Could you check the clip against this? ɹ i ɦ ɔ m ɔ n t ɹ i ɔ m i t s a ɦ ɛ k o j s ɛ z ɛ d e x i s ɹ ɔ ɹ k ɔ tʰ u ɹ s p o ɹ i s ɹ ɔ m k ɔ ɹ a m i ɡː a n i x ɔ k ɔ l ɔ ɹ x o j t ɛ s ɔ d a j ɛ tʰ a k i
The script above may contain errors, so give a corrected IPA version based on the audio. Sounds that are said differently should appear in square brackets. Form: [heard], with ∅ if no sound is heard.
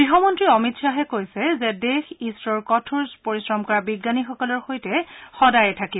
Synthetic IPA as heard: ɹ i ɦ ɔ m ɔ n t ɹ i ɔ m i t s a ɦ ɛ k o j s ɛ z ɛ d e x i s ɹ ɔ ɹ k ɔ tʰ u ɹ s p o ɹ i s ɹ ɔ m k ɔ ɹ a [b] i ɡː a n i x ɔ k ɔ l ɔ ɹ x o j t ɛ [x] ɔ d a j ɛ tʰ a k i